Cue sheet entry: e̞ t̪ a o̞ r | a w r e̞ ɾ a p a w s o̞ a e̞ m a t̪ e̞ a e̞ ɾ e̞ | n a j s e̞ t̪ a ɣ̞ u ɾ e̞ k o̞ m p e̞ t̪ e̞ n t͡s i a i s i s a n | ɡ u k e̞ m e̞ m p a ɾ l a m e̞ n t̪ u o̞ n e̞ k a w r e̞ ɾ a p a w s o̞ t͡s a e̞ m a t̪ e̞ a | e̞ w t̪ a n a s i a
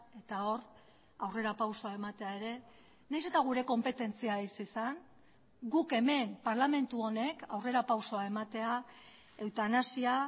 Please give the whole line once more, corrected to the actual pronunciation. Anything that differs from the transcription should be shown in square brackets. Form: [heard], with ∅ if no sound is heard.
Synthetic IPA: e̞ t̪ a o̞ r | a w r e̞ ɾ a p a w s o̞ a e̞ m a t̪ e̞ a e̞ ɾ e̞ | n a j s e̞ t̪ a ɣ̞ u ɾ e̞ k o̞ m p e̞ t̪ e̞ n t͡s i a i s i s a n | ɡ u k e̞ m e̞ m p a ɾ l a m e̞ n t̪ u o̞ n e̞ k a w r e̞ ɾ a p a w s o̞ [∅] a e̞ m a t̪ e̞ a | e̞ w t̪ a n a s i a